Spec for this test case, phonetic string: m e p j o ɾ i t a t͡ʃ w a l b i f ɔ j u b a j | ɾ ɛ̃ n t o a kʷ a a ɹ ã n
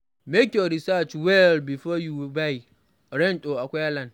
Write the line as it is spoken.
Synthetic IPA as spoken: m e k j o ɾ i s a t͡ʃ w ɛ l b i f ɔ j u b a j | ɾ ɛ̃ n t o a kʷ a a l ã n